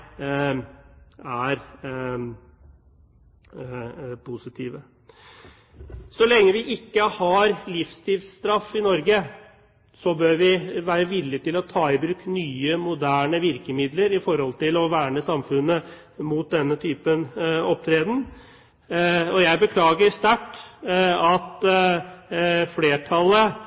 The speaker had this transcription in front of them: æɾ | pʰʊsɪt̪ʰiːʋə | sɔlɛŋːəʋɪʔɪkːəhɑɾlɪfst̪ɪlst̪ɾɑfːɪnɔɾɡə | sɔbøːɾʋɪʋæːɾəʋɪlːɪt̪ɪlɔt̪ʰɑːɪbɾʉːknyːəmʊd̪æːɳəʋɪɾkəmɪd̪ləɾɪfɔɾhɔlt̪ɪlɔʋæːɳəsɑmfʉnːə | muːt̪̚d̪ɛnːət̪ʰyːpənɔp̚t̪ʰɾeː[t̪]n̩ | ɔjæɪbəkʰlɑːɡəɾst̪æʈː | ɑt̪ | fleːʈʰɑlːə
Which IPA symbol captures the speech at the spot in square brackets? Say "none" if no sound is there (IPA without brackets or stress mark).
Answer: d̪